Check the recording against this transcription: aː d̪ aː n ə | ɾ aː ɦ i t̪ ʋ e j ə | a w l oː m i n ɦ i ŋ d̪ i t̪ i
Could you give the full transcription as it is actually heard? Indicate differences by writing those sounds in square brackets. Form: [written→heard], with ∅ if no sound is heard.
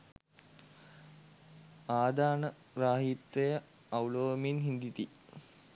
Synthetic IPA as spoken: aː d̪ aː n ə | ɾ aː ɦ i t̪ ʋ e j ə | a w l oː m i n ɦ i [ŋ→n] d̪ i t̪ i